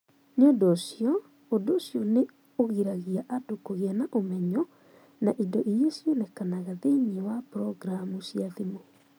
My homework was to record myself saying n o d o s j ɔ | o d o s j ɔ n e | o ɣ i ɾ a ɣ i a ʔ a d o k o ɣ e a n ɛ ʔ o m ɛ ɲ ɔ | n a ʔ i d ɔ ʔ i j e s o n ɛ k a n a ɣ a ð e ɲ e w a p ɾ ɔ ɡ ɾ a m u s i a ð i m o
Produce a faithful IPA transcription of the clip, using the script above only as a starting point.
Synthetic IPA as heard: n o d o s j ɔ | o d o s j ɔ n e | o ɣ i ɾ a ɣ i a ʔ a d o k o ɣ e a n a ʔ o m ɛ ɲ ɔ | n a ʔ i d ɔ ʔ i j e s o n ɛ k a n a ɣ a ð e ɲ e w a p ɾ ɔ ɡ ɾ a m u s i a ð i m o